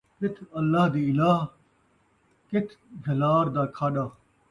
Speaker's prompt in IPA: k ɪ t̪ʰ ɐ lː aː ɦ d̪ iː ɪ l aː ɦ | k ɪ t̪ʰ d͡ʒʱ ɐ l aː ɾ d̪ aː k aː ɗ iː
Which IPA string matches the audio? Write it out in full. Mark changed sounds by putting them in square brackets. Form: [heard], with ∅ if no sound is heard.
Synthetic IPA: k ɪ t̪ʰ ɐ lː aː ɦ d̪ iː ɪ l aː ɦ | k ɪ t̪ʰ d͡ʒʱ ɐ l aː ɾ d̪ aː [kʰ] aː ɗ [aː]